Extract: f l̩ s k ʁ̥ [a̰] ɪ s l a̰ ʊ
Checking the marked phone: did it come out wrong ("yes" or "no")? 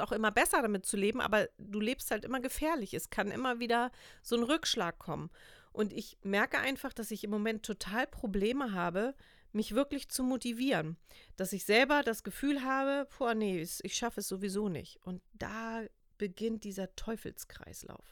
no